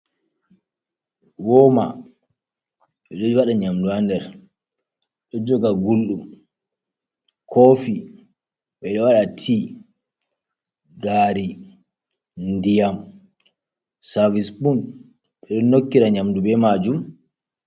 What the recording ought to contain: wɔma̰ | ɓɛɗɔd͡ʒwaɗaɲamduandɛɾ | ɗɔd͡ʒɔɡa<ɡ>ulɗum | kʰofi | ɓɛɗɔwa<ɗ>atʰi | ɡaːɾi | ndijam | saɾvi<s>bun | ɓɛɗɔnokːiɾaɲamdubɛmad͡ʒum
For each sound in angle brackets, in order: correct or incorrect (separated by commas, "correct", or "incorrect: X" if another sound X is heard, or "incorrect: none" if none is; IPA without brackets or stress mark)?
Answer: correct, correct, correct